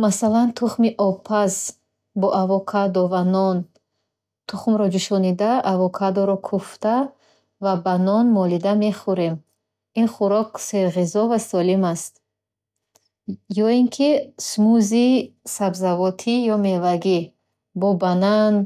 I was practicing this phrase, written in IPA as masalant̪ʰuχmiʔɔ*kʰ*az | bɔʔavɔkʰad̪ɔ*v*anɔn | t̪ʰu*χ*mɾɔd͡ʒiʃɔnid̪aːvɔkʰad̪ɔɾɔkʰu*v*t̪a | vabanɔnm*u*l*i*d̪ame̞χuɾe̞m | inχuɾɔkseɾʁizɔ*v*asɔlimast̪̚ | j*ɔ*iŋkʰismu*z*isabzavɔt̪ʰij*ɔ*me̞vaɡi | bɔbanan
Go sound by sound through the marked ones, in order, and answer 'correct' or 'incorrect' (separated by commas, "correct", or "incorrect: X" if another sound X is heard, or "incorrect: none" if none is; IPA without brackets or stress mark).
incorrect: pʰ, correct, correct, incorrect: f, incorrect: ɔ, correct, correct, correct, correct, correct